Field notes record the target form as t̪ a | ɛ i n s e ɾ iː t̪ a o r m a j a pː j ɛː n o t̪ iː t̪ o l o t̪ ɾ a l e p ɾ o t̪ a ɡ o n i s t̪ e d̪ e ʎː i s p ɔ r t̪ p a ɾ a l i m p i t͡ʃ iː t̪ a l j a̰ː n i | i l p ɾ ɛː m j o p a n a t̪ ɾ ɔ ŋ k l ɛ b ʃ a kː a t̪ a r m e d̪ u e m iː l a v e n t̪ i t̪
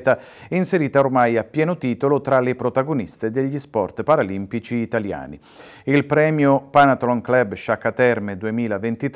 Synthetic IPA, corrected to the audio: t̪ a | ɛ i n s e ɾ iː t̪ a o r m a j a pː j ɛː n o t̪ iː t̪ o l o t̪ ɾ a l e p ɾ o t̪ a ɡ o n i s t̪ e d̪ e ʎː i s p ɔ r t̪ p a ɾ a l i m p i t͡ʃ iː t̪ a l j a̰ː n i | i l p ɾ ɛː m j o p a n a t̪ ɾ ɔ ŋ k l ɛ b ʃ a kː a t̪ ɛ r m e d̪ u e m iː l a v e n t̪ i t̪